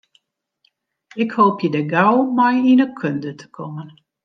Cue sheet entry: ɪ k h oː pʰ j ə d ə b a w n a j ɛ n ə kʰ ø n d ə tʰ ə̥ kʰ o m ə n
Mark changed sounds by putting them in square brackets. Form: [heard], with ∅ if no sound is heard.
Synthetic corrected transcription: ɪ k h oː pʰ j ə d ə [ɡ] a w [m] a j [i] n ə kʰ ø n d ə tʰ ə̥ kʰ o m ə n